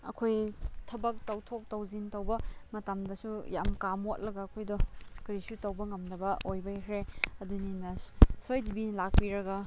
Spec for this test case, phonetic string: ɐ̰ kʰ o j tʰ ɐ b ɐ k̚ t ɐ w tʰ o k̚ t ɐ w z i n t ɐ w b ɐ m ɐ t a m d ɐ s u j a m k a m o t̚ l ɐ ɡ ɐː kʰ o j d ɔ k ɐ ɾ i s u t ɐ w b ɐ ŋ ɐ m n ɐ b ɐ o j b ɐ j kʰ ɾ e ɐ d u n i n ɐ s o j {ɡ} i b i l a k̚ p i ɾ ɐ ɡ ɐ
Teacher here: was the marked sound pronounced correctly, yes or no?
no